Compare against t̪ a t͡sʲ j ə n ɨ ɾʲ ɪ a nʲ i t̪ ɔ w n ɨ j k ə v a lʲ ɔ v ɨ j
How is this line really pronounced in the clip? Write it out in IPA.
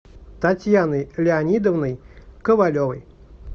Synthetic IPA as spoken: t̪ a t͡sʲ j a n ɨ lʲ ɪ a nʲ i d̪ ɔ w n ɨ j k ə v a lʲ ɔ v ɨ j